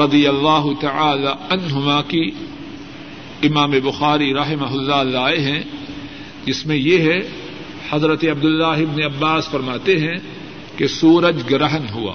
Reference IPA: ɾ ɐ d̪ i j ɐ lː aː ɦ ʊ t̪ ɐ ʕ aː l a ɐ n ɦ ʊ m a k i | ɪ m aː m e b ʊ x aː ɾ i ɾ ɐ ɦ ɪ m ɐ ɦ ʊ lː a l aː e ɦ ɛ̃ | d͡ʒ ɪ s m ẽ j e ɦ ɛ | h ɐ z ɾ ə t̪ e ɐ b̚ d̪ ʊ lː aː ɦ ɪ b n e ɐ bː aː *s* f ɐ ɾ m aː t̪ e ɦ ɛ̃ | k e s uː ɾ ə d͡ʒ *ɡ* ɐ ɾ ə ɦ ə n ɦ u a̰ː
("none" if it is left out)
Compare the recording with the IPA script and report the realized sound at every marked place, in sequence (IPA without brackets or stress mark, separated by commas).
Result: s, ɡ